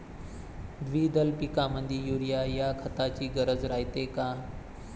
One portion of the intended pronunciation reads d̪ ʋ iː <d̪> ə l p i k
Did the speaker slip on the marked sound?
no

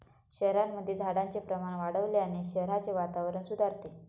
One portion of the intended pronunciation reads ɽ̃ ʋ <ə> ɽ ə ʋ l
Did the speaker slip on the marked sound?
yes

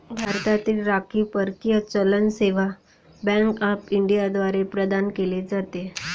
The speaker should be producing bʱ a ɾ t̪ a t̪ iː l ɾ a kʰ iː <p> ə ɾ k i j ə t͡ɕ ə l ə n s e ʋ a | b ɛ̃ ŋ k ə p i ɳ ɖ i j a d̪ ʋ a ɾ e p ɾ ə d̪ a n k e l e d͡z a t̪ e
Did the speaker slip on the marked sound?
no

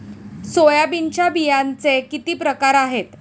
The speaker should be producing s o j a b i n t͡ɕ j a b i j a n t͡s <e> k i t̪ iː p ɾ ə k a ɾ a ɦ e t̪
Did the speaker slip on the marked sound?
no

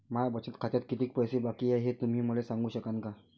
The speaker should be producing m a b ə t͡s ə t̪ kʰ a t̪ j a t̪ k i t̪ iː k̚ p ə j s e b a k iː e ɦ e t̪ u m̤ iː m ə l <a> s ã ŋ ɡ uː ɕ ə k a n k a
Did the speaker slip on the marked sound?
yes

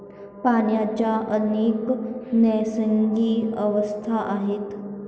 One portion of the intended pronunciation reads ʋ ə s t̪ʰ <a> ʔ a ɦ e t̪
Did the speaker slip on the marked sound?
no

